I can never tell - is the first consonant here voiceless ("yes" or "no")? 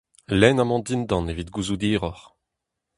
no